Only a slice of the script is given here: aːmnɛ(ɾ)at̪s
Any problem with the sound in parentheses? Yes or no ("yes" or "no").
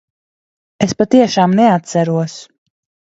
yes